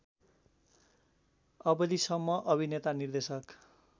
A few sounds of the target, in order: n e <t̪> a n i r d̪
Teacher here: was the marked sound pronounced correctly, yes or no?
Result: yes